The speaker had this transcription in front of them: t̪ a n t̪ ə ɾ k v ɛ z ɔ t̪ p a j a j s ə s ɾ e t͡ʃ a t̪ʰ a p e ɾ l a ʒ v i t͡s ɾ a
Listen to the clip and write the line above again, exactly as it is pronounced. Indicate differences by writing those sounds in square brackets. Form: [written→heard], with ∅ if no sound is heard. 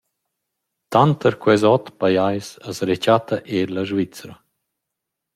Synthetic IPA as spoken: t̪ a n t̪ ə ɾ k [v→w] ɛ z ɔ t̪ p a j a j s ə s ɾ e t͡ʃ a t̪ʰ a [p→ʔ] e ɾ l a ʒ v i t͡s ɾ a